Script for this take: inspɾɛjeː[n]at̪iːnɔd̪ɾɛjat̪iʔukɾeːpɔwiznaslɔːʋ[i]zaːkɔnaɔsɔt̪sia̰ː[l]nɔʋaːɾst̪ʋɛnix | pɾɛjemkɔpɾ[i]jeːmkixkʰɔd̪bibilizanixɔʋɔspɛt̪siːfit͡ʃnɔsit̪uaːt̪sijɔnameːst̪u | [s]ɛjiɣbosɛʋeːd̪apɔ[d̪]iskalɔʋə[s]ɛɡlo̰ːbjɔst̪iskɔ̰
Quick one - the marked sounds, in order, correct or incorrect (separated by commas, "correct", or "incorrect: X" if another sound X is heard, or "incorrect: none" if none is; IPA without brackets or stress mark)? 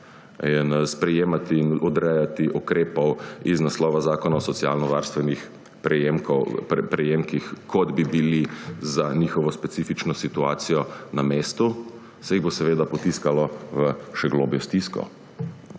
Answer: incorrect: m, incorrect: a, correct, incorrect: ɛ, correct, incorrect: t̪, incorrect: ʃ